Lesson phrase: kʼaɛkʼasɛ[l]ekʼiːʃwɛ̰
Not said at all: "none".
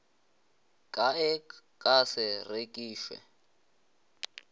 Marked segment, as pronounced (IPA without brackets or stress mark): r